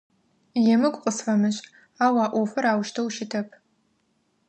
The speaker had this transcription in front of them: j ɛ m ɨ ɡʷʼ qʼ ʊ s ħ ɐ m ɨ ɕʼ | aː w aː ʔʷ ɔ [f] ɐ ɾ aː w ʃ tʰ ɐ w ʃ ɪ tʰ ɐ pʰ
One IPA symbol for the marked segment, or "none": f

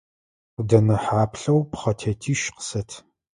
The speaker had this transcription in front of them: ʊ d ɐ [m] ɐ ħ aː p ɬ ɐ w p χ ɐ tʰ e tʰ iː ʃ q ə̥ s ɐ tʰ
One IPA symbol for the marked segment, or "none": n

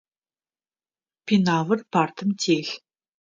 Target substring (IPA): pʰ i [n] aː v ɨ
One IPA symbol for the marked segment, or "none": n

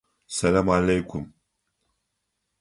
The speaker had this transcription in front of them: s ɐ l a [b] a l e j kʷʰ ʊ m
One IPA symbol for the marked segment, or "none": m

